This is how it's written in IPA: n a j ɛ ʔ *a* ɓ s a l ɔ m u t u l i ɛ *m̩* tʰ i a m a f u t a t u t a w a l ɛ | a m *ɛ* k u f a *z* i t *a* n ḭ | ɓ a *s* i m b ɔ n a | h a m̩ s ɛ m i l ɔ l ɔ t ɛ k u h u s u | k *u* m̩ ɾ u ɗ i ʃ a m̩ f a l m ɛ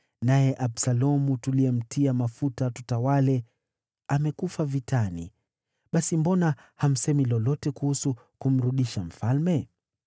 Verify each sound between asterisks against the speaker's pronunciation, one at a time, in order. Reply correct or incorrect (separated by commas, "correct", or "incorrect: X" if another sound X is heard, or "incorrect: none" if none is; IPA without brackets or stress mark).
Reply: correct, correct, correct, incorrect: v, correct, correct, correct